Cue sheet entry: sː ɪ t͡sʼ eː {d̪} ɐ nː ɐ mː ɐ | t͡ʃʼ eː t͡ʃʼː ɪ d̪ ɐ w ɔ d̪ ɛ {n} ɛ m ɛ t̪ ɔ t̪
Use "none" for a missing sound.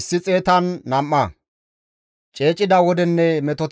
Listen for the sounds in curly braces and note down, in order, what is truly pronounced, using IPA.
t̪, nː

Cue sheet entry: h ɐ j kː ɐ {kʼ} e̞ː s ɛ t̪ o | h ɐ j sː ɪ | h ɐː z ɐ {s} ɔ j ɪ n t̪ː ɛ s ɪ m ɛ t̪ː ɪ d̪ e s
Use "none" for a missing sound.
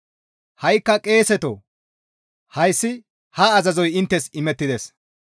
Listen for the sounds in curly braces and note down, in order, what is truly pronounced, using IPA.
kʼ, z

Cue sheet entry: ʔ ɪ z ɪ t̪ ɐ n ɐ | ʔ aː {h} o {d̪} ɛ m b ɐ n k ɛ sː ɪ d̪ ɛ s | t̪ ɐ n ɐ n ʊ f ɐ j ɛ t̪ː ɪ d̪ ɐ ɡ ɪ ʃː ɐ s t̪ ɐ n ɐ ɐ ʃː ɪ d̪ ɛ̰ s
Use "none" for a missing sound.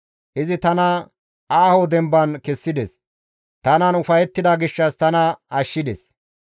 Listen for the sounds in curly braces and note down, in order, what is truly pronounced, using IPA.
h, d̪

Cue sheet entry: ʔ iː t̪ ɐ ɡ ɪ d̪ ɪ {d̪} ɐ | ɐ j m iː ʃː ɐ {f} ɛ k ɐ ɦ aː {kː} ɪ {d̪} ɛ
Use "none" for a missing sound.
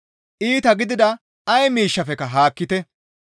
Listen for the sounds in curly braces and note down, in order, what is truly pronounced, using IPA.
d̪, f, kː, t̪

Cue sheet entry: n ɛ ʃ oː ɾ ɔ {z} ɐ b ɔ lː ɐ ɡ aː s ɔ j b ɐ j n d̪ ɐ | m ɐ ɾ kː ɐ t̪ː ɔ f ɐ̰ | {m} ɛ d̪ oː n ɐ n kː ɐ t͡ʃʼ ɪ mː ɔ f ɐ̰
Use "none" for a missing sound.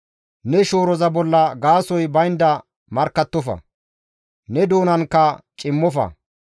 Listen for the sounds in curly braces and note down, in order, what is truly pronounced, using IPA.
z, n

